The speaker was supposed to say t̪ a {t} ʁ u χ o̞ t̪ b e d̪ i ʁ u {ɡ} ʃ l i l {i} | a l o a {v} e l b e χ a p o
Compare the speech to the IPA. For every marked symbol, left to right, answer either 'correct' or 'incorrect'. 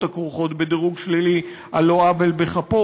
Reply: incorrect: k, correct, correct, correct

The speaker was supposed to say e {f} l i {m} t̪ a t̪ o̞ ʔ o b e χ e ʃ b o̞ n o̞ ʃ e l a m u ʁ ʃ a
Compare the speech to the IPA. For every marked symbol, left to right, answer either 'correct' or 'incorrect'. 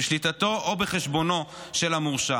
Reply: incorrect: ʃ, incorrect: none

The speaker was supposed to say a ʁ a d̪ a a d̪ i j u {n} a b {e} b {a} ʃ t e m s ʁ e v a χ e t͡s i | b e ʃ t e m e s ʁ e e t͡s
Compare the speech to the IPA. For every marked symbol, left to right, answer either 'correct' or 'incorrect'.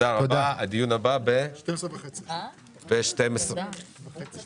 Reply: correct, incorrect: a, incorrect: e

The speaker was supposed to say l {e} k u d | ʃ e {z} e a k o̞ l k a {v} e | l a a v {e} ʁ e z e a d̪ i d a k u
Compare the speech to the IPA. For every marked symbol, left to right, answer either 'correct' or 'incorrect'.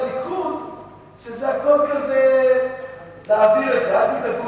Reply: incorrect: i, correct, incorrect: z, incorrect: i

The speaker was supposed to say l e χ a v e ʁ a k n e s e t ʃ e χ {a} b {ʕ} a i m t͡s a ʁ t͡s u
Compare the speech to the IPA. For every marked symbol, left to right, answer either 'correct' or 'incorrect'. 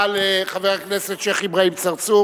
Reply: incorrect: i, incorrect: ʁ

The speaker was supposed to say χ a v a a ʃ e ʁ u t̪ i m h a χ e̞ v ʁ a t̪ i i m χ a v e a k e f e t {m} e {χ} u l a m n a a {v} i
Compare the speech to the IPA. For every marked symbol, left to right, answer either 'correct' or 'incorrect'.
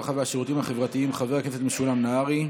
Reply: correct, incorrect: ʃ, incorrect: ʁ

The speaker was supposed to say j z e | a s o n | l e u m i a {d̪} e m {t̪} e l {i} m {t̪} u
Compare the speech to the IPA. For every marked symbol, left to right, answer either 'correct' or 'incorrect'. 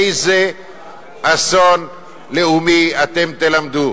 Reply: incorrect: t̪, correct, incorrect: a, incorrect: d̪

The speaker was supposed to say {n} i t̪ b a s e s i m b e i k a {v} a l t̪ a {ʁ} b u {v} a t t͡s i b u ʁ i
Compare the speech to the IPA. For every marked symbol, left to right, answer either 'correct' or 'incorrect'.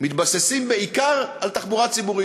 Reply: incorrect: m, incorrect: ʁ, incorrect: χ, incorrect: ʁ

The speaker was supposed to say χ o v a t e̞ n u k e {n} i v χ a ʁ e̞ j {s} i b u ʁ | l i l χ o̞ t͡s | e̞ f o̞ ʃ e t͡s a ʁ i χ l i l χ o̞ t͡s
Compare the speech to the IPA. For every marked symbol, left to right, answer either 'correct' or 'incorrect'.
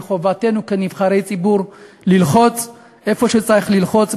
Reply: correct, incorrect: t͡s

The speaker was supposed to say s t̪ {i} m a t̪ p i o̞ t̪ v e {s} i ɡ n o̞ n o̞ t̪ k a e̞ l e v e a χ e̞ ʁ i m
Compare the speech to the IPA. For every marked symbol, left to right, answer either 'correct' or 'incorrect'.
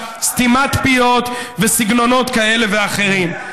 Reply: correct, correct

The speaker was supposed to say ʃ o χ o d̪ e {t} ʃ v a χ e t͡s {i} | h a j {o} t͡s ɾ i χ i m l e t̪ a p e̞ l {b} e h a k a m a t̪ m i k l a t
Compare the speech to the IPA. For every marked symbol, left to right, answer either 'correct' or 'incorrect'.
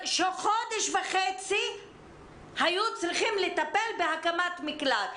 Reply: incorrect: none, correct, incorrect: u, correct

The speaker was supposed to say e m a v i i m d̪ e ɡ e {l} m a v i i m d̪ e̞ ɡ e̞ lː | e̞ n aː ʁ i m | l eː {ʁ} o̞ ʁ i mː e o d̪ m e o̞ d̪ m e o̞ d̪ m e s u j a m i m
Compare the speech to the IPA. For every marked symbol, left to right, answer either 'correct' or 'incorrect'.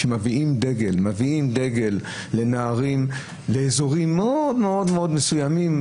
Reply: correct, incorrect: z

